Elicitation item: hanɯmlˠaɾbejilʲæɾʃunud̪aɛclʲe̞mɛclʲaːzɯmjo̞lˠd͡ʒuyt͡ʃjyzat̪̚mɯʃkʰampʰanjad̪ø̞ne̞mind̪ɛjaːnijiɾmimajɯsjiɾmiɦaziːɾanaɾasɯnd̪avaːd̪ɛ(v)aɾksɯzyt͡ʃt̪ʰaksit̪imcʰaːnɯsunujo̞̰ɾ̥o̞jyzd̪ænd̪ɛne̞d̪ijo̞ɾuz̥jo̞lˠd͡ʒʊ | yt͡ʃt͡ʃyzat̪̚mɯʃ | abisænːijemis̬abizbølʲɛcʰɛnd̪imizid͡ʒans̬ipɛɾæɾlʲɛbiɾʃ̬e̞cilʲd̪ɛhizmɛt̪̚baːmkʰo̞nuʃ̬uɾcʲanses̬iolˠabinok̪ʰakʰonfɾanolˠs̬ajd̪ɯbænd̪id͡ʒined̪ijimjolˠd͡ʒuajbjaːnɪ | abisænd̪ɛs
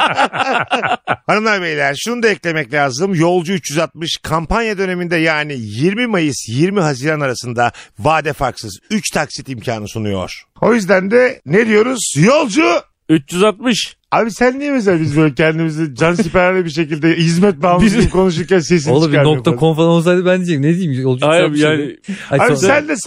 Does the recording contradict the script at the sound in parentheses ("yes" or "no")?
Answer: yes